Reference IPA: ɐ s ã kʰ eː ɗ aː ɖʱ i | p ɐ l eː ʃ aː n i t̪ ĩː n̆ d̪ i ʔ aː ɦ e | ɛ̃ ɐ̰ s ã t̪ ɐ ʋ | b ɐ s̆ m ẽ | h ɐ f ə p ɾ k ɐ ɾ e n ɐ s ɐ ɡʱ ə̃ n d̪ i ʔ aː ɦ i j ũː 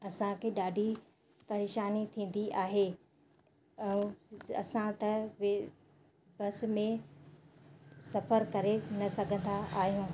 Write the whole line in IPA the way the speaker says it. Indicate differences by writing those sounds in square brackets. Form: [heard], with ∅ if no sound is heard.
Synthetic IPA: ɐ s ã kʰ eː ɗ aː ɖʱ i | p ɐ [ɾ] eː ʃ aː n i [t̪ʰ] ĩː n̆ d̪ i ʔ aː ɦ e | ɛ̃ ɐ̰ s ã t̪ ɐ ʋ | b ɐ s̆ m ẽ | [s] ɐ f ə [∅] ɾ k ɐ ɾ e n ɐ s ɐ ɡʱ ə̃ n d̪ [a] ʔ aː ɦ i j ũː